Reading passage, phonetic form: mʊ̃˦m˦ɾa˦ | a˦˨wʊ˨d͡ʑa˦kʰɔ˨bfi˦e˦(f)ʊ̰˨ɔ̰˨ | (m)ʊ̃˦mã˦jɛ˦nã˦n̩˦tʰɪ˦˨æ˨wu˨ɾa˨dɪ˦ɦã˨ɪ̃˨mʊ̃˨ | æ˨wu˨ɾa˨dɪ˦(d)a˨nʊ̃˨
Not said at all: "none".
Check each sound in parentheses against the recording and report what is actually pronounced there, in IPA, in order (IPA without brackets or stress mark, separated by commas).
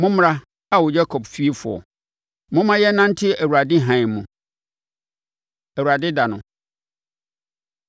f, m, d